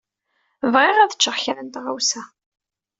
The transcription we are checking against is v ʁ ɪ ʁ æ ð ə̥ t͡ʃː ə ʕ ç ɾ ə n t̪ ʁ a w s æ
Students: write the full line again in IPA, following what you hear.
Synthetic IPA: v ʁ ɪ ʁ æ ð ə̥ t͡ʃː ə ʁ ç ɾ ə n t̪ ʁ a w s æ